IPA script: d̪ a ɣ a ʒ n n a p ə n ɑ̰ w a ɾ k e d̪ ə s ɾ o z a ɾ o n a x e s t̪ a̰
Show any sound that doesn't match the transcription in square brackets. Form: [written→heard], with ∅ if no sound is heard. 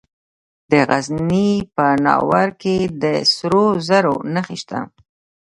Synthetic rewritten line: d̪ [a→ə] ɣ a [ʒ→z] n n [a→i] p ə n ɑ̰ w a ɾ k e d̪ ə s ɾ o z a ɾ o n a x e [s→ʃ] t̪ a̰